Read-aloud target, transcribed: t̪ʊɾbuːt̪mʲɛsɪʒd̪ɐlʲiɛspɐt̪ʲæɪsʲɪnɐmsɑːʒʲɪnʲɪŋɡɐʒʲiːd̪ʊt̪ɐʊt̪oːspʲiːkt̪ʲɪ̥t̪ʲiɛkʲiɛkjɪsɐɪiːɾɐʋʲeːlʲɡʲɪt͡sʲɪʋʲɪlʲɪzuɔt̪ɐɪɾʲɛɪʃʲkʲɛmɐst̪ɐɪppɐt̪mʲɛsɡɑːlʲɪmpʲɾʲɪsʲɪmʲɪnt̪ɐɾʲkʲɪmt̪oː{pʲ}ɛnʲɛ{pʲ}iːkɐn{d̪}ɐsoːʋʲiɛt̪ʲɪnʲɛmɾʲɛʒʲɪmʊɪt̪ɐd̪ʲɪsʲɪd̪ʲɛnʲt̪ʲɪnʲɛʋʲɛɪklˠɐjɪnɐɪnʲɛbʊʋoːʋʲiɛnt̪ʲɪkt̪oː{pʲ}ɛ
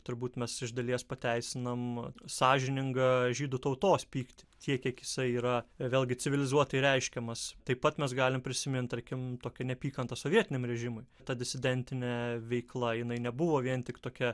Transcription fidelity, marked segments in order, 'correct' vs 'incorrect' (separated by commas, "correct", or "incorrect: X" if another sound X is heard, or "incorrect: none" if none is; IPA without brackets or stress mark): incorrect: kʲ, correct, incorrect: t̪, incorrect: kʲ